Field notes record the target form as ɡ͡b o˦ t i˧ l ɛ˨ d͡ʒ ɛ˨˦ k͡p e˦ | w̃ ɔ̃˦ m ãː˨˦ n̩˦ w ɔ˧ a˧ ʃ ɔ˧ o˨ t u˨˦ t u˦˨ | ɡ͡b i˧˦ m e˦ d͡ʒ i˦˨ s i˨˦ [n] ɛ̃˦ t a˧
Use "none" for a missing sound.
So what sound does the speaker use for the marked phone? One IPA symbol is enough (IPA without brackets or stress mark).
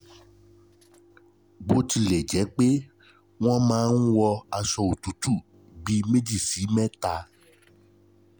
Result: m